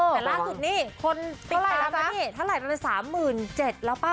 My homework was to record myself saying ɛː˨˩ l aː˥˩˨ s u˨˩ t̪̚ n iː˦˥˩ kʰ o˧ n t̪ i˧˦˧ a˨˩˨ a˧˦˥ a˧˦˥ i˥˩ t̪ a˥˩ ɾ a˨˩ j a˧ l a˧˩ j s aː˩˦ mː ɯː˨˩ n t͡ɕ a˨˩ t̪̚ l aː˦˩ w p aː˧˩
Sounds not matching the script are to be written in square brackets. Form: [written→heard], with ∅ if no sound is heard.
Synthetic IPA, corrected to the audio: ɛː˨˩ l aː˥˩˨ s u˨˩ t̪̚ n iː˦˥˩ kʰ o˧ n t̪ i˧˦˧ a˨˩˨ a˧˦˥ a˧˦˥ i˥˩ [t̪→t̪ʰ] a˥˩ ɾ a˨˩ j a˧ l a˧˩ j s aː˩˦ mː ɯː˨˩ n t͡ɕ [a˨˩→e˨˩] t̪̚ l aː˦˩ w p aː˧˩